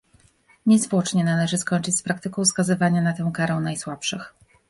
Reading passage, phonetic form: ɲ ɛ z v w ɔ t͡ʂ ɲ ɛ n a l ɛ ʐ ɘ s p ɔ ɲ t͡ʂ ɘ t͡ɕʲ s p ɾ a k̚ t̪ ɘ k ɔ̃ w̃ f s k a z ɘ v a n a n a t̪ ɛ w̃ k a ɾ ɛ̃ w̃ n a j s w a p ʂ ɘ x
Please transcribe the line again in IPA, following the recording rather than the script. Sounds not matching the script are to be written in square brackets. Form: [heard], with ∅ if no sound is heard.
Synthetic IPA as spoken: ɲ ɛ z v w ɔ t͡ʂ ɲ ɛ n a l ɛ ʐ ɘ s [k] ɔ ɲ t͡ʂ ɘ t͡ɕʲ s p ɾ a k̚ t̪ ɘ k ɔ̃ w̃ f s k a z ɘ v a [ɲ] a n a t̪ ɛ w̃ k a ɾ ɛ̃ w̃ n a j s w a p ʂ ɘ x

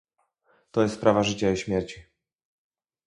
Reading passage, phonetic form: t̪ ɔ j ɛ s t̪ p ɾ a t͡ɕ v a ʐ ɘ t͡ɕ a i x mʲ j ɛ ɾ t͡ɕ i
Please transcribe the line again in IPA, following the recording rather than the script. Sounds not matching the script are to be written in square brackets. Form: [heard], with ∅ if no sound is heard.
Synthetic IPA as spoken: t̪ ɔ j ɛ s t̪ p ɾ a [∅] v a ʐ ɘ t͡ɕ a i [ɕ] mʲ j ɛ ɾ t͡ɕ i

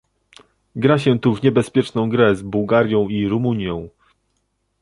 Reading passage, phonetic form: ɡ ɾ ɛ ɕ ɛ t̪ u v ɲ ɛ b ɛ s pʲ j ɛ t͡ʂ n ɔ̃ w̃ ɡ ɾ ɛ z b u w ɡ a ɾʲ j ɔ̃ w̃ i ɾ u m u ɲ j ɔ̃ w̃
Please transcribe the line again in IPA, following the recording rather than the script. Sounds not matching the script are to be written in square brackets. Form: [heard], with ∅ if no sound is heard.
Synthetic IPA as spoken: ɡ ɾ [a] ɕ ɛ t̪ u v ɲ ɛ b ɛ s pʲ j ɛ t͡ʂ n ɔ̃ w̃ ɡ ɾ ɛ z b u w ɡ a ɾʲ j ɔ̃ w̃ i ɾ u m u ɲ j ɔ̃ w̃

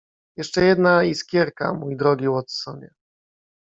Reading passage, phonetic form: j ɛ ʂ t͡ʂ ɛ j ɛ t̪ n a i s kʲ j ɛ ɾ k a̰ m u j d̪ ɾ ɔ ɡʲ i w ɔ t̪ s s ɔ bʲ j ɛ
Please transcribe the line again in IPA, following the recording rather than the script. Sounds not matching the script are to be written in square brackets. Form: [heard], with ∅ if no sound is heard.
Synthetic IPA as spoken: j ɛ ʂ t͡ʂ ɛ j ɛ [d̪] n a i s kʲ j ɛ ɾ k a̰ m u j d̪ ɾ ɔ ɡʲ i w ɔ t̪ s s ɔ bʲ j ɛ

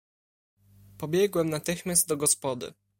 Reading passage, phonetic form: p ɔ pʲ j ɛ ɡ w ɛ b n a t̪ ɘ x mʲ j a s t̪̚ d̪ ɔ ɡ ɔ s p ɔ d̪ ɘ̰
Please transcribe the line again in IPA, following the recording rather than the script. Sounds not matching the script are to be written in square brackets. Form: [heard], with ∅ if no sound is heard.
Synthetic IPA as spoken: p ɔ [bʲ] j ɛ ɡ w ɛ [m] n a t̪ ɘ x mʲ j a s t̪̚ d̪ ɔ ɡ ɔ s p ɔ d̪ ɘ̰

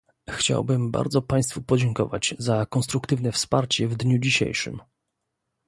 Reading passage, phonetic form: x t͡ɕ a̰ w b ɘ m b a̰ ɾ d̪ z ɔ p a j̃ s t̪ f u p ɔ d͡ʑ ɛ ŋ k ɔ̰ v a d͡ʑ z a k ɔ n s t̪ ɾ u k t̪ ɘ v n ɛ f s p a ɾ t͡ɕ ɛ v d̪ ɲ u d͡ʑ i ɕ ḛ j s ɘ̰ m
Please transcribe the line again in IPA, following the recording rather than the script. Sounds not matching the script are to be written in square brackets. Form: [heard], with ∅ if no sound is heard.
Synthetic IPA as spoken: x t͡ɕ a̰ w b ɘ m b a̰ ɾ d̪ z ɔ p a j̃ s t̪ f u p ɔ d͡ʑ ɛ ŋ k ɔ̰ v a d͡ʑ z a k ɔ n s t̪ ɾ u k t̪ ɘ v n ɛ f s p a ɾ t͡ɕ ɛ v d̪ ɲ u d͡ʑ i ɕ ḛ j [ʂ] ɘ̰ m

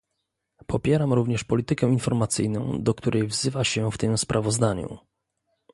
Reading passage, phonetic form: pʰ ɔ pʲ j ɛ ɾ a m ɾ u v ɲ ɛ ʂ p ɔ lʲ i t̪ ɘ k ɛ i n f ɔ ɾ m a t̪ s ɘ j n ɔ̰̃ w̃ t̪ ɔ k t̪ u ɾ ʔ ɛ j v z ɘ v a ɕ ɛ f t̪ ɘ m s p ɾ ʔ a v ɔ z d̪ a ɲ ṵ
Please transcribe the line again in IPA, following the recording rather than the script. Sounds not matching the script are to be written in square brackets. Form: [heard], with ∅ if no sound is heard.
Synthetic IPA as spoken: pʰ ɔ pʲ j ɛ ɾ a m ɾ u v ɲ ɛ ʂ p ɔ lʲ i t̪ ɘ k ɛ i n f ɔ ɾ m a t̪ s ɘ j n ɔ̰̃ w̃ [d̪] ɔ k t̪ u ɾ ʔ ɛ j v z ɘ v a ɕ ɛ f t̪ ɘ m s p ɾ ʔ a v ɔ z d̪ a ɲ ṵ

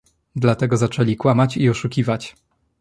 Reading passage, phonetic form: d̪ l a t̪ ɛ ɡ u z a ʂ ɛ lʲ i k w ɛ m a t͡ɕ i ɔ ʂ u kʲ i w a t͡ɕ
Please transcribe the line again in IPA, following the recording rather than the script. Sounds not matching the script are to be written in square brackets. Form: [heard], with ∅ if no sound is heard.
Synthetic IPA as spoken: d̪ l a t̪ ɛ ɡ [ɔ] z a [t͡ʂ] ɛ lʲ i k w [a] m a t͡ɕ i ɔ ʂ u kʲ i [v] a t͡ɕ

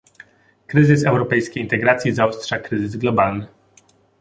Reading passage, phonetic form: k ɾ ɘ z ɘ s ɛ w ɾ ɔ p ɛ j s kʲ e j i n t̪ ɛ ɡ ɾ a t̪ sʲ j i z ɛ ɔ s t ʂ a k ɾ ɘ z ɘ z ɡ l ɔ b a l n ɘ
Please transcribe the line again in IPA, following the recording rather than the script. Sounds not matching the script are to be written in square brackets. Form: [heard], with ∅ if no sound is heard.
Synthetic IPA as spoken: k ɾ ɘ z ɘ s ɛ w ɾ ɔ p ɛ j s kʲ e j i n t̪ ɛ ɡ ɾ a t̪ sʲ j i z [a] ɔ s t ʂ a k ɾ ɘ z ɘ z ɡ l ɔ b a l n ɘ

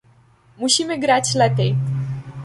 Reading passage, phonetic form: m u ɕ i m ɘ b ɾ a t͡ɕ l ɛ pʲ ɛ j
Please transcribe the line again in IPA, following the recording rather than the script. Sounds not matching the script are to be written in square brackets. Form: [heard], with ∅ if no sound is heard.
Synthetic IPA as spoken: m u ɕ i m ɘ [ɡ] ɾ a t͡ɕ l ɛ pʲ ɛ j

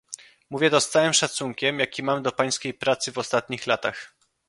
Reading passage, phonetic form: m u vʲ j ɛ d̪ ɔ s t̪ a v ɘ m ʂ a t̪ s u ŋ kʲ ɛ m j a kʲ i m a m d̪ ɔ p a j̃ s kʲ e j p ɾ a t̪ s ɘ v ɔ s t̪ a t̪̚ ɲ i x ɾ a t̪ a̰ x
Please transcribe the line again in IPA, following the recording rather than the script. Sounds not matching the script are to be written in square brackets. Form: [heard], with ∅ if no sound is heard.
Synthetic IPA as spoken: m u vʲ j ɛ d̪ ɔ s t̪ a [w] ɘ m ʂ a t̪ s u ŋ kʲ ɛ m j a kʲ i m a m d̪ ɔ p a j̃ s kʲ e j p ɾ a t̪ s ɘ v ɔ s t̪ a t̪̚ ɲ i x [l] a t̪ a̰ x

